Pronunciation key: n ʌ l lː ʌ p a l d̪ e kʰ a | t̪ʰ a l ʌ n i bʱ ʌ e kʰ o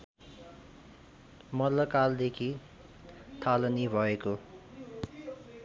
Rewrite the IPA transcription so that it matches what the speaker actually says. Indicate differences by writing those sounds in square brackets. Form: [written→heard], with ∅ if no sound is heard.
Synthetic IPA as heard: [n→m] ʌ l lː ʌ [p→k] a l d̪ e kʰ [a→i] | t̪ʰ a l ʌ n i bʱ ʌ e [kʰ→k] o